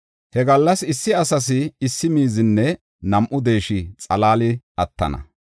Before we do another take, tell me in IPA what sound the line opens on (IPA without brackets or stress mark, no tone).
h